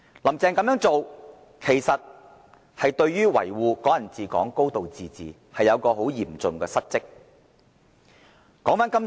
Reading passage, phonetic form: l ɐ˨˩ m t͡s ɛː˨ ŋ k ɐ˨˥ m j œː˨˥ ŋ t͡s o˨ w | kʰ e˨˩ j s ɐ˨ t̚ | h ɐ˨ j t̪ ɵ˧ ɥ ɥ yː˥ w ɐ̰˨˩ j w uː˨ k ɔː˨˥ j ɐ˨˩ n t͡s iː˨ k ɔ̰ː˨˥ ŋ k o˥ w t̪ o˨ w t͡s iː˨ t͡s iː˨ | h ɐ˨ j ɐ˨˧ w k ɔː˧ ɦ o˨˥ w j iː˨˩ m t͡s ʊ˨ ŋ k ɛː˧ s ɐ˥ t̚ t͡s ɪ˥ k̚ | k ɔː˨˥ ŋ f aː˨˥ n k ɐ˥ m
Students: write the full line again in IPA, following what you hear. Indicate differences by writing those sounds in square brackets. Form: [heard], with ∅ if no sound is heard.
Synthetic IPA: l ɐ˨˩ m t͡s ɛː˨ ŋ k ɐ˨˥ m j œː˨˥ ŋ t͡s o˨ w | kʰ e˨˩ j s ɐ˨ t̚ | h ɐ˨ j t̪ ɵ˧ ɥ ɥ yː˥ w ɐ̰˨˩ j w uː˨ k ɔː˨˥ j ɐ˨˩ n t͡s iː˨ k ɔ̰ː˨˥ ŋ k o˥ w t̪ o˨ w t͡s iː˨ t͡s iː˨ | h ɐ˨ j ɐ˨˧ w k ɔː˧ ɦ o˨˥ w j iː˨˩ m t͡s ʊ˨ ŋ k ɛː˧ s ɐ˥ t̚ t͡s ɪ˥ k̚ | k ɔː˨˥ ŋ f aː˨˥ n k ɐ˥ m

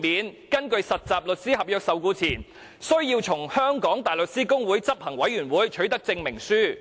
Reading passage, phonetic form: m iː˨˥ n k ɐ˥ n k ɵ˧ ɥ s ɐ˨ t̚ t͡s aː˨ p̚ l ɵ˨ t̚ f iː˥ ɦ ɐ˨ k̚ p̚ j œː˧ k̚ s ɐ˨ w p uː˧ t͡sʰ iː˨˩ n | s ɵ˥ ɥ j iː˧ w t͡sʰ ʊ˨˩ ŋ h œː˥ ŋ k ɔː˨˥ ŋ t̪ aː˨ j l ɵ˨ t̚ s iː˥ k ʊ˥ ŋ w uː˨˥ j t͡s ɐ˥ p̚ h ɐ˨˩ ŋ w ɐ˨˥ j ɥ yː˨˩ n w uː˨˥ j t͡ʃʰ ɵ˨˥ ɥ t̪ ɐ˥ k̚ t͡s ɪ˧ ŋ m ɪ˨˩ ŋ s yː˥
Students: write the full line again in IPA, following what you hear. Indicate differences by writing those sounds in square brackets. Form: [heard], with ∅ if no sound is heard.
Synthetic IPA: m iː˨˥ n k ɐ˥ n k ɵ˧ ɥ s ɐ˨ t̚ t͡s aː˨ p̚ l ɵ˨ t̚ [s] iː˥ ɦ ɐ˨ [∅] p̚ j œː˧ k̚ s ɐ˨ w [k] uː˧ t͡sʰ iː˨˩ n | s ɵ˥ ɥ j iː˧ w t͡sʰ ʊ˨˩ ŋ h œː˥ ŋ k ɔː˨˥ ŋ t̪ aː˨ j l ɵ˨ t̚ s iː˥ k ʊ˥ ŋ w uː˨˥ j t͡s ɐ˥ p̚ h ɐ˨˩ ŋ w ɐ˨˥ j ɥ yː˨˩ n w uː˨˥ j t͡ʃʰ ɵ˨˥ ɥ t̪ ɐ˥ k̚ t͡s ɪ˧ ŋ m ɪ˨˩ ŋ s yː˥

